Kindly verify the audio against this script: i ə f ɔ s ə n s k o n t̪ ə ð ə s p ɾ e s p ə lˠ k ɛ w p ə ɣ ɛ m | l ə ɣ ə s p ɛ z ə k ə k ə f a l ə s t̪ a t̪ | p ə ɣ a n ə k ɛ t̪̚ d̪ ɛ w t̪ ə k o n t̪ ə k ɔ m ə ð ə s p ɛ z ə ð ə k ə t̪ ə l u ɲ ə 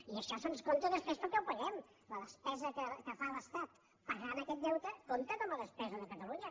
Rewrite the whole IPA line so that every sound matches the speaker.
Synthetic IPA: i ə ʃ ɔ s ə n s k o n t̪ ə ð ə s p ɾ e s p ə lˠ k ɛ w p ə ɣ ɛ m | l ə ð ə s p ɛ z ə k ə k ə f a l ə s t̪ a t̪ | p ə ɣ a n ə k ɛ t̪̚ d̪ ɛ w t̪ ə k o n t̪ ə k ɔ m ə ð ə s p ɛ z ə ð ə k ə t̪ ə l u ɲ ə